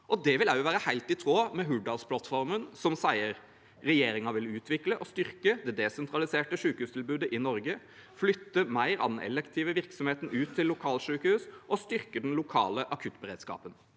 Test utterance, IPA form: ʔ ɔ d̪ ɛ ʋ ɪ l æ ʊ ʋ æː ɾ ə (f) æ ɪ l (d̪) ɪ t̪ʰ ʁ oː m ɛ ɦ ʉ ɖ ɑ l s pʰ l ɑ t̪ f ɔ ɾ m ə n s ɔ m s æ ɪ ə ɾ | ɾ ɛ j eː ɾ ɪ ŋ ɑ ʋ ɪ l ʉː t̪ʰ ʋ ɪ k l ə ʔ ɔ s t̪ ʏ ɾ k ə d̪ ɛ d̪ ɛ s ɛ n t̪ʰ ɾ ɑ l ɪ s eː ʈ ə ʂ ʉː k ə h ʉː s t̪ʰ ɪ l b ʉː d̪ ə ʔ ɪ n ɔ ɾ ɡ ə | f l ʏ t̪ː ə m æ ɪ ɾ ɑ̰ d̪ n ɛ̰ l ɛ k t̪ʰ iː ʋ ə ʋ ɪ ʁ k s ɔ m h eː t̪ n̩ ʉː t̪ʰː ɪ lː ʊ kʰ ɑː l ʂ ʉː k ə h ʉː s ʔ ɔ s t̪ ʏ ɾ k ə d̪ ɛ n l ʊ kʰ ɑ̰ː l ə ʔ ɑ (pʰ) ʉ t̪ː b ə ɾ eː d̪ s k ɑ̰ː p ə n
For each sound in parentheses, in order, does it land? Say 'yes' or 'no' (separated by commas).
no, no, no